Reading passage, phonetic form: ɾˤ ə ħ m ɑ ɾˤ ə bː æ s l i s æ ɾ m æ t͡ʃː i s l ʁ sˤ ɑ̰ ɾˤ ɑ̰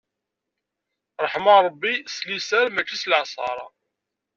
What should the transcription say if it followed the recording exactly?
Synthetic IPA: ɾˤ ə ħ m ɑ ɾˤ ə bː i s l i s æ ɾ m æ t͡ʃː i s l ʕ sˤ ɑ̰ ɾˤ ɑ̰